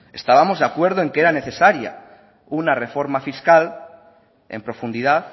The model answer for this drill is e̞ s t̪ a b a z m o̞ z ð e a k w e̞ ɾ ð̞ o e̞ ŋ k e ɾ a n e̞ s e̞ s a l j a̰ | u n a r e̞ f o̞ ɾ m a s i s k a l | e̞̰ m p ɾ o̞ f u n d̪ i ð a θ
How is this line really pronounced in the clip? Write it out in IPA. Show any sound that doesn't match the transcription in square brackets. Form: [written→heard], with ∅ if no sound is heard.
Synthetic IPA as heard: e̞ s t̪ a [b→β] a [z→∅] m o̞ z ð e a k w e̞ ɾ ð̞ o e̞ ŋ k e ɾ a n e̞ [s→θ] e̞ s a [l→ɾ] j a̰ | u n a r e̞ f o̞ ɾ m a [s→f] i s k a l | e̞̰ m p ɾ o̞ f u n d̪ i ð a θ